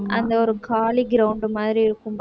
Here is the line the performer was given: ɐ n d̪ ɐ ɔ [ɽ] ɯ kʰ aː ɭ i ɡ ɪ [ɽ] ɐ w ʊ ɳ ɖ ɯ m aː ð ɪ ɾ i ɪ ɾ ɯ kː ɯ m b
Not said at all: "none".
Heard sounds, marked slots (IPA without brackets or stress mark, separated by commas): ɾ, ɾ